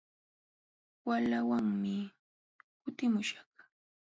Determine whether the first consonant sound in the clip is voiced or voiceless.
voiced